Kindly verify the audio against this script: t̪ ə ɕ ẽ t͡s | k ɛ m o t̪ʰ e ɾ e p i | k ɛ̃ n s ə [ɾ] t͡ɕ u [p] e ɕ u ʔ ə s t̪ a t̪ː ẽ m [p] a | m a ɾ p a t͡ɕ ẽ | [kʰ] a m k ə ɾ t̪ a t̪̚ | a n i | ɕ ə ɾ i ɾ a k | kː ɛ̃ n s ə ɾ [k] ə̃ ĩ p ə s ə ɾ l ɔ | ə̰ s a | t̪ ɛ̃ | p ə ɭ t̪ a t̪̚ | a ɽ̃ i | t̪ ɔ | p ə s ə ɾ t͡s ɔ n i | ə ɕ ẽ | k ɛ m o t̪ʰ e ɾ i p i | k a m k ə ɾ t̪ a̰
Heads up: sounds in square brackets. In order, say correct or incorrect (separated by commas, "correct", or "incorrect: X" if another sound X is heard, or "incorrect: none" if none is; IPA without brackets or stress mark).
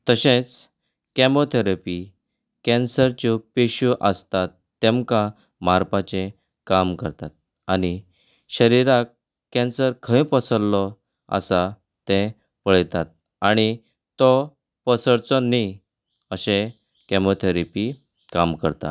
correct, correct, incorrect: k, incorrect: k, incorrect: kʰ